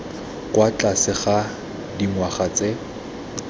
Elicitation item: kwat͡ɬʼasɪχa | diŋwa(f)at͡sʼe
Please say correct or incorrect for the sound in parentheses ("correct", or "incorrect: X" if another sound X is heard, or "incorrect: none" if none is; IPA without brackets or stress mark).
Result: incorrect: χ